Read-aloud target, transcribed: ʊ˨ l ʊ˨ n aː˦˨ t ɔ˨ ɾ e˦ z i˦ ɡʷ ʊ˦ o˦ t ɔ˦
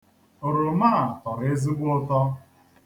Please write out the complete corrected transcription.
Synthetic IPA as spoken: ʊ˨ ɾ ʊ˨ m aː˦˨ t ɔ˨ ɾ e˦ z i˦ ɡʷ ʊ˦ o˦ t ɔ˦